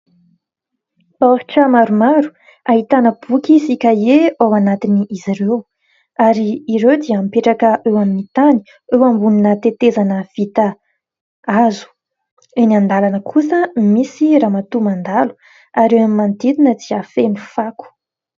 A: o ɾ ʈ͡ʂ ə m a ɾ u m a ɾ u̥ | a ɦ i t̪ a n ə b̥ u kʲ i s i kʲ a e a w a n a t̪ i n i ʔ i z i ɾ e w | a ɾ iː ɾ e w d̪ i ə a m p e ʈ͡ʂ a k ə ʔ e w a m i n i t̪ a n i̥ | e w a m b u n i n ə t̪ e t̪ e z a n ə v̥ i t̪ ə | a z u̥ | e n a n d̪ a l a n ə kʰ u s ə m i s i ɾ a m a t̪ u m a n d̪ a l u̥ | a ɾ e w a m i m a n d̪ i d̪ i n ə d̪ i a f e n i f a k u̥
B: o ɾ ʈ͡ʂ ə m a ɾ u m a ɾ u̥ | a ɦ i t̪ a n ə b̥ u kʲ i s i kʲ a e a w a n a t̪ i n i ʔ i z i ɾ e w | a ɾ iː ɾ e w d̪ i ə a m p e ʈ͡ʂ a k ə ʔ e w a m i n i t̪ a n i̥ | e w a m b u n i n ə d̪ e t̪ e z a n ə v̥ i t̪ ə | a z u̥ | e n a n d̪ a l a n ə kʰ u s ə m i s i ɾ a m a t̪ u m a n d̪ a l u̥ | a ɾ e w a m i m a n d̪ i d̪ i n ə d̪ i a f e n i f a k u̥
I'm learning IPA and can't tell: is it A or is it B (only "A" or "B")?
A